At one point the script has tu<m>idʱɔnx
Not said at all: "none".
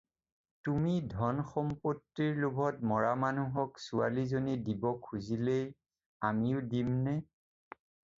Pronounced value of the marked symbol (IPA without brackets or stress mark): m